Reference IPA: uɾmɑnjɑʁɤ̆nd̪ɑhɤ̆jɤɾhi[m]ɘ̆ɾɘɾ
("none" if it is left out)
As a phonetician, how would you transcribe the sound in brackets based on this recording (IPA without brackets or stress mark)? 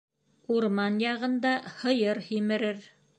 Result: m